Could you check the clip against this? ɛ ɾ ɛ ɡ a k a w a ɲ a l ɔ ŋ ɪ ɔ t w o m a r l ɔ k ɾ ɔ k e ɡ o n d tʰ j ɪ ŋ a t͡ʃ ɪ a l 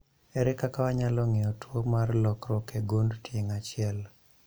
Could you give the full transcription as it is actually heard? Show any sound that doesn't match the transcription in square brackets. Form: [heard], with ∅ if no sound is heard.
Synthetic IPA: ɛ ɾ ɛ [k] a k a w a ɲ a l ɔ ŋ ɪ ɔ t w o m a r l ɔ k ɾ ɔ k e ɡ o n d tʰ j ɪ ŋ a t͡ʃ ɪ [ɛ] l